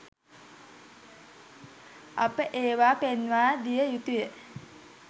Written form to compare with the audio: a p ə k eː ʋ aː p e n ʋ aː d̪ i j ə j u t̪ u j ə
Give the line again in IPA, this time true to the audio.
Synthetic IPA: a p ə ʔ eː ʋ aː p e n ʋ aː d̪ i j ə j u t̪ u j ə